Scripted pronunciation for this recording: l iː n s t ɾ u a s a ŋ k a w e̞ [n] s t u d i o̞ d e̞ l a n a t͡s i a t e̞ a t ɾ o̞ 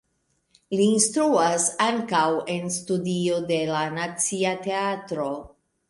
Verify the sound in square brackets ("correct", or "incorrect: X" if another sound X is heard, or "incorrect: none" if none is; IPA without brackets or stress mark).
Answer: correct